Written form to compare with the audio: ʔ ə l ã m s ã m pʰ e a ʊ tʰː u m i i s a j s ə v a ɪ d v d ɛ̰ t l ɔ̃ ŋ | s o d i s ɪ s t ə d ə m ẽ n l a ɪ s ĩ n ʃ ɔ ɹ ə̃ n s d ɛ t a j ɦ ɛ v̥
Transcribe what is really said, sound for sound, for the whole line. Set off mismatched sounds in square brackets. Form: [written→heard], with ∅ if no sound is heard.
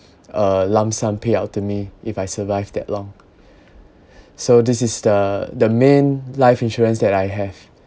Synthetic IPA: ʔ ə l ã m s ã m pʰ e a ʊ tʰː u m i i [s→f] a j s ə v a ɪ [d→∅] v d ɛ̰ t l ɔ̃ ŋ | s o d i s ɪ s [t→d] ə d ə m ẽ n l a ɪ [s→f] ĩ n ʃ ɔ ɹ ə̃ n s d ɛ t a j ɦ ɛ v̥